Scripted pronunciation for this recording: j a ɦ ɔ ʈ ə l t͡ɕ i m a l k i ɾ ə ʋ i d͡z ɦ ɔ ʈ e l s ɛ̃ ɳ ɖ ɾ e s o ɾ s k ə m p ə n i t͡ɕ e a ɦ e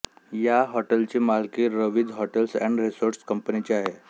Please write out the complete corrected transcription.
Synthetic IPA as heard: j a ɦ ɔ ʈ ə l t͡ɕ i m a l k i ɾ ə ʋ i d͡z ɦ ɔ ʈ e l s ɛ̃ ɳ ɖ ɾ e s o ɾ s k ə m p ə n i t͡ɕ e a ɦ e